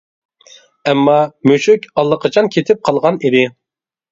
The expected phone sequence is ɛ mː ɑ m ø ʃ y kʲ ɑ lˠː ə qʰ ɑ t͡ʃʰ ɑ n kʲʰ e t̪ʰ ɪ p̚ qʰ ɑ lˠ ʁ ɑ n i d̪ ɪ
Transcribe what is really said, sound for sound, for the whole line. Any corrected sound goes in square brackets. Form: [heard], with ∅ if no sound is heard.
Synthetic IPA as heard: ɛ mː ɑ m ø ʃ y kʲ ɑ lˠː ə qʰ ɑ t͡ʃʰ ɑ n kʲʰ e t̪ʰ ɪ p̚ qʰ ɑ lˠ ʁ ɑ n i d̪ ɪ